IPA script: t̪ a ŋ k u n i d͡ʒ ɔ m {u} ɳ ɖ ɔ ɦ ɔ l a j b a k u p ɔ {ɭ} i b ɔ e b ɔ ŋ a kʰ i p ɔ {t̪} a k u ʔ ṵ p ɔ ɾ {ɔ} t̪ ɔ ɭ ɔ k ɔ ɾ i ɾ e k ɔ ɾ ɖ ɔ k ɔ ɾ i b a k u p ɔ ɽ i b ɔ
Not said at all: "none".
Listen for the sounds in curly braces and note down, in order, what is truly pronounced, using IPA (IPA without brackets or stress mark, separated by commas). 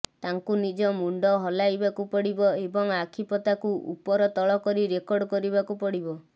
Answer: u, ɽ, t̪, ɔ